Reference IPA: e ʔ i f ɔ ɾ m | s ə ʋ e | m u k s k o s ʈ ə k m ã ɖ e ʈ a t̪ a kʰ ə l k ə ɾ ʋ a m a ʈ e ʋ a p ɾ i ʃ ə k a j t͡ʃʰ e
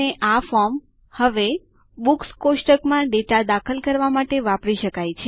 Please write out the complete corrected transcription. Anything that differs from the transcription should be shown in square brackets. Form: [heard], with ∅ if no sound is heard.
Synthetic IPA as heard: e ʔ [a] f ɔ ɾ m | [h] ə ʋ e | [b] u k s k o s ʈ ə k m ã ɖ e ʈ a [d̪] a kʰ ə l k ə ɾ ʋ a m a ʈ e ʋ a p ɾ i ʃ ə k a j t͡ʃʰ e